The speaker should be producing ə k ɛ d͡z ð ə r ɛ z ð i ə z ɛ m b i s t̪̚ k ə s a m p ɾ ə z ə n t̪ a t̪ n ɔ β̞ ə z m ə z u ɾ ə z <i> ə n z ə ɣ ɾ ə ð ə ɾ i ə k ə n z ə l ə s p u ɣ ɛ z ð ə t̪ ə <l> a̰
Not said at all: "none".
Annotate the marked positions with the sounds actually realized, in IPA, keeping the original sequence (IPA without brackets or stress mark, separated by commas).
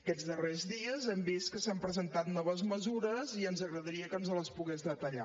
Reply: i, ʎ